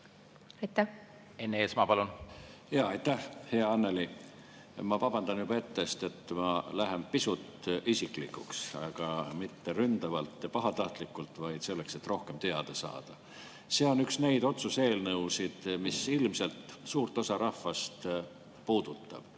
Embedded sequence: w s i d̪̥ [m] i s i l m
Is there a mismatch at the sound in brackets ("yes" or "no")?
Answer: no